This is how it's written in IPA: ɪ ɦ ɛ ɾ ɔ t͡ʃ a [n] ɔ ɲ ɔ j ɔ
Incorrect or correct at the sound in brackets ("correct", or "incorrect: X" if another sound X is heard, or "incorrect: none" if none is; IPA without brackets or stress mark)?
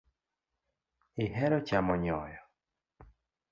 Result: incorrect: m